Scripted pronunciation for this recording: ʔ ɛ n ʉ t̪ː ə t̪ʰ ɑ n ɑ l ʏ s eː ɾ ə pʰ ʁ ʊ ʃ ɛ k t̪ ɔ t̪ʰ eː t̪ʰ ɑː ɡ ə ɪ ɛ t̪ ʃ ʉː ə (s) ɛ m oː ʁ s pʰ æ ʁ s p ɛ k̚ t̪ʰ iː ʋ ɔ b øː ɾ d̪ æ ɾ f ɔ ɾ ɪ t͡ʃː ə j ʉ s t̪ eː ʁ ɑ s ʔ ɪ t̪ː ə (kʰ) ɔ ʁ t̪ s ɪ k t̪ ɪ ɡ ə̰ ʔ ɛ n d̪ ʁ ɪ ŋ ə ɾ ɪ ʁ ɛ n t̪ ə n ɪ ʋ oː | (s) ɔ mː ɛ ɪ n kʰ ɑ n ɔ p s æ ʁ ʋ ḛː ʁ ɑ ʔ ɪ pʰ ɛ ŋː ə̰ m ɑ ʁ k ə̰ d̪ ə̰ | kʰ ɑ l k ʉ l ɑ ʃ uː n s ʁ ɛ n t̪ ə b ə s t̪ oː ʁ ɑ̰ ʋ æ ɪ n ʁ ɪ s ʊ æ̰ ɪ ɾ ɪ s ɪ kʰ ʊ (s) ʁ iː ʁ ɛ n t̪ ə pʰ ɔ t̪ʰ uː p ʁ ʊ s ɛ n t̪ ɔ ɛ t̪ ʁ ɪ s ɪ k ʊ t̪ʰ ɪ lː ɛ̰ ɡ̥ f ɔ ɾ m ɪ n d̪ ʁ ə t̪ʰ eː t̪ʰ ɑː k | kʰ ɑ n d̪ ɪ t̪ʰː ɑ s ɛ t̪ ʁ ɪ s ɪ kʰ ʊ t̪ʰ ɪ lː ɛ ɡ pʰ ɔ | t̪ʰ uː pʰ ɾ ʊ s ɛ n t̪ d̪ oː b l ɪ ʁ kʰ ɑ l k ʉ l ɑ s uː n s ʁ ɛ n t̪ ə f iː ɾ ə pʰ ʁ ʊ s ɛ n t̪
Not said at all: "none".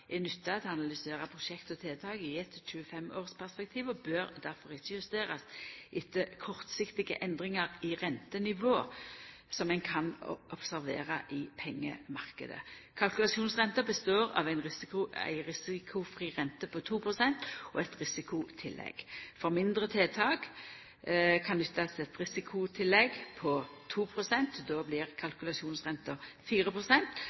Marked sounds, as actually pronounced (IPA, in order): f, kʰ, s, f

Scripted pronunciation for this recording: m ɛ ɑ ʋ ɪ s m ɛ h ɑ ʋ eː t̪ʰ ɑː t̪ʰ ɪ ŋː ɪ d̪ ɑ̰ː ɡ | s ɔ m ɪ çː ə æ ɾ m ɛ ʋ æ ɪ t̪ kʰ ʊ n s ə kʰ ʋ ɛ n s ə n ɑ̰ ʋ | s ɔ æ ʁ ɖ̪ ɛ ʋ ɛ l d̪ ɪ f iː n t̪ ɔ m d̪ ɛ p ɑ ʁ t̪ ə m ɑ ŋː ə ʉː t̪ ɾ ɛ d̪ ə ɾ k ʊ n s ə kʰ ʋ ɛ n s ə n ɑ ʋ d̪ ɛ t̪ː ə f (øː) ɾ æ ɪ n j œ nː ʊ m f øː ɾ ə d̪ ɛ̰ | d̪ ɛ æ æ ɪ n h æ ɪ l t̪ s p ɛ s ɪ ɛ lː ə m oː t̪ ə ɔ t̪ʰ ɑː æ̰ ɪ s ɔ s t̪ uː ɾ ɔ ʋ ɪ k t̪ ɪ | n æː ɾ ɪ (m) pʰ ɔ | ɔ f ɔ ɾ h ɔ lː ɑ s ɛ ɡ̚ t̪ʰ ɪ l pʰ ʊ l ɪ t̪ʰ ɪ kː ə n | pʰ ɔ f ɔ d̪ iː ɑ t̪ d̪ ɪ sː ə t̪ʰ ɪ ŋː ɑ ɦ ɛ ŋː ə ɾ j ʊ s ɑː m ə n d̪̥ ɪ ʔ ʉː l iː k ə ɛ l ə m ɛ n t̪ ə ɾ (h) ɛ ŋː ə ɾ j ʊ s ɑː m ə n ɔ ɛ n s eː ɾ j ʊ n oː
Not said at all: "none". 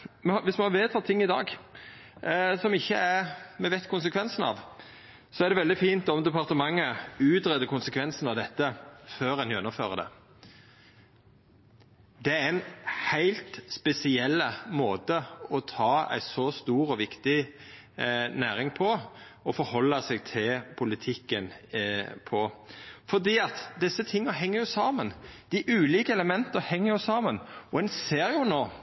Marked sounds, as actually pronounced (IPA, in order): øː, ŋ, h

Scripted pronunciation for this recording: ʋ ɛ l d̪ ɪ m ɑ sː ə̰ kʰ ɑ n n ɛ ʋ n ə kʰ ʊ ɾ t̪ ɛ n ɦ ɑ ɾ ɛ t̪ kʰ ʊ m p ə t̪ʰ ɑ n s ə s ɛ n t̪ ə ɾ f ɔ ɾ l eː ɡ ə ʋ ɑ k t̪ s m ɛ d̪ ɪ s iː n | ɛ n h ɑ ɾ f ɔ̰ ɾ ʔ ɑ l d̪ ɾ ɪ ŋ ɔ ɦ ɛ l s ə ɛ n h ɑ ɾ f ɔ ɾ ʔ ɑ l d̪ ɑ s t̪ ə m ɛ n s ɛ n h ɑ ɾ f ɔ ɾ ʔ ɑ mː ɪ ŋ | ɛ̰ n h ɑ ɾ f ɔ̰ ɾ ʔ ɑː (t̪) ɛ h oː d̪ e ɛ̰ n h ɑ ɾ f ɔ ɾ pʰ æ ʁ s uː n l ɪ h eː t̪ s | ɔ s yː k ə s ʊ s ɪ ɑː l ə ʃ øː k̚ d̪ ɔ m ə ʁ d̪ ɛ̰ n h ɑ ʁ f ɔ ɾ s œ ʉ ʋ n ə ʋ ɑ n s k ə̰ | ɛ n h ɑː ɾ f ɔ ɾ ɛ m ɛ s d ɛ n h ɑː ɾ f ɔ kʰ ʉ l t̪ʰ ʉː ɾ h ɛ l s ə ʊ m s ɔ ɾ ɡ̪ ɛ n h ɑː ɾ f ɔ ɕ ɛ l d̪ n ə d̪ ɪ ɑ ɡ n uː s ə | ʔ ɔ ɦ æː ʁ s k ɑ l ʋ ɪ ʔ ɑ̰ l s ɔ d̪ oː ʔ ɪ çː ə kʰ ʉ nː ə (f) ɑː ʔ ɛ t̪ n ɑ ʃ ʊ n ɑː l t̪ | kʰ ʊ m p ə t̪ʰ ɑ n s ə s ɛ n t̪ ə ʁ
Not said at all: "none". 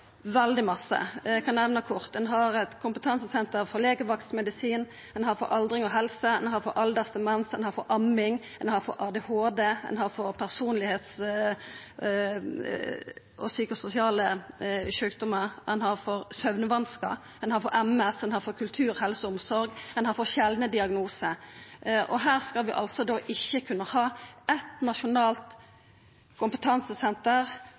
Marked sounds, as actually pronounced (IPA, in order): d̪, h

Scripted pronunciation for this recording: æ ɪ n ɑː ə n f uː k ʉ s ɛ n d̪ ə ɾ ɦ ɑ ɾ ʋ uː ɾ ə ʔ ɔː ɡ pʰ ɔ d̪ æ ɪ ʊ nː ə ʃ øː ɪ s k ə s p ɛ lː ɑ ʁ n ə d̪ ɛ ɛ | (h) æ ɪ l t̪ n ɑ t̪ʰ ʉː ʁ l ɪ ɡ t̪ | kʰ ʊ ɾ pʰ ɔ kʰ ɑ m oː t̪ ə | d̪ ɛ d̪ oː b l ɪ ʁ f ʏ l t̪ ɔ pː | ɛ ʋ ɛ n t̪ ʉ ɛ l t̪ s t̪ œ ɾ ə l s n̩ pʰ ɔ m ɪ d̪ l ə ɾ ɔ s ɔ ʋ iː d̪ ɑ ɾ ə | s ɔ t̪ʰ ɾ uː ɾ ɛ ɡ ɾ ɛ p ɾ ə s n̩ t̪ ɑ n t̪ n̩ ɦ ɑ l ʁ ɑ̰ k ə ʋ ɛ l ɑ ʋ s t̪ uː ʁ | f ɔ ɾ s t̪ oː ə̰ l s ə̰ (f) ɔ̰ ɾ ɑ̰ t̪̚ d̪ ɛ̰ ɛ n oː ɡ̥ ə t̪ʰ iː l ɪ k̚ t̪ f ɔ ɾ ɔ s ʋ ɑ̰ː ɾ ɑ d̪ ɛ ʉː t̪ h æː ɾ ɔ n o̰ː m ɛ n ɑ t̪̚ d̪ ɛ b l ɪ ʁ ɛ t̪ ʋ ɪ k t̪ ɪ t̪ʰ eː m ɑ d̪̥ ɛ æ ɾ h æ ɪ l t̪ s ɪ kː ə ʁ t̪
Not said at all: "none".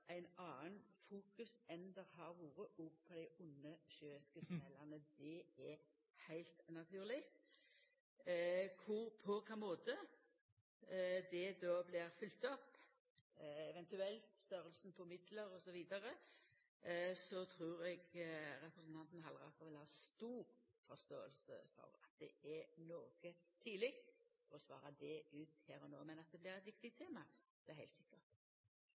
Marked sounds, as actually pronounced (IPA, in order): h, f

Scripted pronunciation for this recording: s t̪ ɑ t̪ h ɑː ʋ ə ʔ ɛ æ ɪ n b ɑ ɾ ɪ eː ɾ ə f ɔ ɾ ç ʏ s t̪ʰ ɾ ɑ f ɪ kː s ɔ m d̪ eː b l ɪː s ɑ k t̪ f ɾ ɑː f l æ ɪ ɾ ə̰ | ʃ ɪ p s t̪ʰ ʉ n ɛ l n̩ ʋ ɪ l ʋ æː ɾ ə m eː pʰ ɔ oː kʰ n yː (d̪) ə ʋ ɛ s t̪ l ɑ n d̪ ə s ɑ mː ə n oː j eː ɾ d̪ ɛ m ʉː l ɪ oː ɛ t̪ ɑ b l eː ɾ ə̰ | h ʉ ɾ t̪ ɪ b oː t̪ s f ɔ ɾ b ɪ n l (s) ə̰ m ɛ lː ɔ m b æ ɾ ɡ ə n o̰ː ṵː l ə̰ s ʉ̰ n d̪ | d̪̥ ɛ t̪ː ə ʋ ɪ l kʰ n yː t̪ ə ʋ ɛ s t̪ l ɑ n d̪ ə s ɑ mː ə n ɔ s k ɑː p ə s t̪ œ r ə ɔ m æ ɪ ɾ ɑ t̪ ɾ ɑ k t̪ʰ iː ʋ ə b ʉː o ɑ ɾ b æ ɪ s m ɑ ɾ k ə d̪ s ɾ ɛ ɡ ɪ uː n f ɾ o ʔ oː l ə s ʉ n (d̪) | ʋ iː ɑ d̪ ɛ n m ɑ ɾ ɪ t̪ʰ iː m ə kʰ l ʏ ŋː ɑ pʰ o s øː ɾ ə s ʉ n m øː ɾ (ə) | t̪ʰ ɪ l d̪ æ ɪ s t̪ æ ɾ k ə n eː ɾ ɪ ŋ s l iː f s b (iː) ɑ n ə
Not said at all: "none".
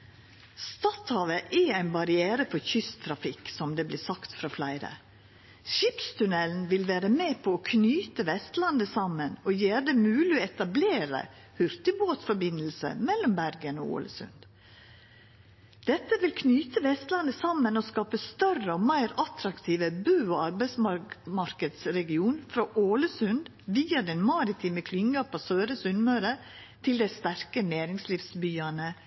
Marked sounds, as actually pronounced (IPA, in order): t̪, s, d̪, ə, yː

